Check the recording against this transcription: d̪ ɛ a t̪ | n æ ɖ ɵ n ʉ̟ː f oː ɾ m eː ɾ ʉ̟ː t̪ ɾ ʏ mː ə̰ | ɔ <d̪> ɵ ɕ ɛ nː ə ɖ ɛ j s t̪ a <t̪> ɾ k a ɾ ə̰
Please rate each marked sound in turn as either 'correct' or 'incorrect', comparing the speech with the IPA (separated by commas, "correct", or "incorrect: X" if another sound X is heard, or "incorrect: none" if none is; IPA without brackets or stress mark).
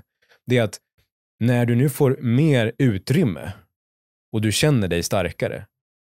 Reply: correct, incorrect: none